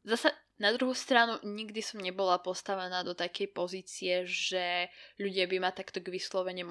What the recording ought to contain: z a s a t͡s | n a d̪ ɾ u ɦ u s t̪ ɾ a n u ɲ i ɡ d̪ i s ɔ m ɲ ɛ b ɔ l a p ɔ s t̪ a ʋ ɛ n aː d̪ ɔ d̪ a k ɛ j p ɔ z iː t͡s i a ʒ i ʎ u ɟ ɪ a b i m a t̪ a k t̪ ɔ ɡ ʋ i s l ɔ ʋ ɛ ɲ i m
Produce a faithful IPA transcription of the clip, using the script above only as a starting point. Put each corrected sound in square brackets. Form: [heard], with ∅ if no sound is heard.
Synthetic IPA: z a s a [∅] | n a d̪ ɾ u ɦ u s t̪ ɾ a n u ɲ i ɡ d̪ i s ɔ m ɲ ɛ b ɔ l a p ɔ s t̪ a ʋ ɛ n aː d̪ ɔ [t̪] a k ɛ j p ɔ z iː t͡s i [ɛ] ʒ [ɛ] ʎ u ɟ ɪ a b i m a t̪ a k t̪ ɔ ɡ ʋ i s l ɔ ʋ ɛ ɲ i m